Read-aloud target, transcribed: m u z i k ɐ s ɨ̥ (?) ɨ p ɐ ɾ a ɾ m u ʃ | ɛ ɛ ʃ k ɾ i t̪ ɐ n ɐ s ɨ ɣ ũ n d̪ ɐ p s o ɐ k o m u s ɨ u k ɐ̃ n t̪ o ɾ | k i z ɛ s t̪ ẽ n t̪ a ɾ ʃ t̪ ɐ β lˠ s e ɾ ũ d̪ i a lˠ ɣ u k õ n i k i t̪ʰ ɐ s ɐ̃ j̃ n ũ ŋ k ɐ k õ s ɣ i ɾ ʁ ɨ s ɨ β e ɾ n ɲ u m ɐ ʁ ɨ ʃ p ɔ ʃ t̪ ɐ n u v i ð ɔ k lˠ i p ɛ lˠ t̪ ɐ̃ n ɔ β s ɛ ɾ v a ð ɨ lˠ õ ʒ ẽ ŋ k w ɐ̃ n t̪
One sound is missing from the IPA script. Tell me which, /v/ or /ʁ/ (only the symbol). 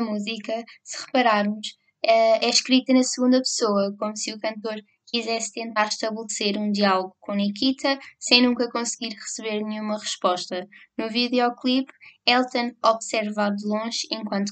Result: ʁ